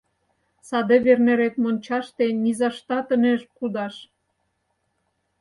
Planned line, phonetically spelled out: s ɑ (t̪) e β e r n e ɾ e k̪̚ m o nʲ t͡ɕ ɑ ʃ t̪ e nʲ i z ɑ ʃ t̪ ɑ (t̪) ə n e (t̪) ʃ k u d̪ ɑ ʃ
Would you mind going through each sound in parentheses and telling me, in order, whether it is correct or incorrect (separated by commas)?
incorrect, correct, incorrect